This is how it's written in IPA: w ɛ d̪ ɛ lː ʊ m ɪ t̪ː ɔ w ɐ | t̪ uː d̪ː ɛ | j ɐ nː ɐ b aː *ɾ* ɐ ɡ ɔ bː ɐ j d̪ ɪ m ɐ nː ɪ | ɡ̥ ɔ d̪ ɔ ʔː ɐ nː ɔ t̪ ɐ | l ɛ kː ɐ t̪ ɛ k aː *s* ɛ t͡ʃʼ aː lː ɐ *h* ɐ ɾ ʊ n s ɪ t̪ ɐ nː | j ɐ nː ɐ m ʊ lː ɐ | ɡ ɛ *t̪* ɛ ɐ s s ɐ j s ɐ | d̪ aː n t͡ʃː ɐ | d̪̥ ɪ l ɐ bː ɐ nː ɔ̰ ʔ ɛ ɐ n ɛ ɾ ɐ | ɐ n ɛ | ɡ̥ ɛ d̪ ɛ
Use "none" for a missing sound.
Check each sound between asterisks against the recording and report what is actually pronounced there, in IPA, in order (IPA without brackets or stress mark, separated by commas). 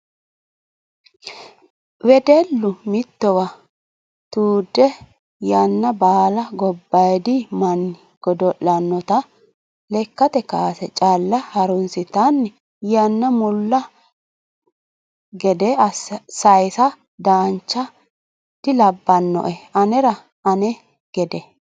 l, s, h, d̪